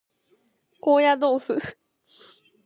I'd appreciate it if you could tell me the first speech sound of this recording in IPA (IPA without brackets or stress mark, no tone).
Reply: k